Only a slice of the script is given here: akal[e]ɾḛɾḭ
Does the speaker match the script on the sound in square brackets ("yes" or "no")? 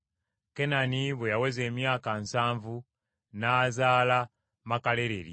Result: yes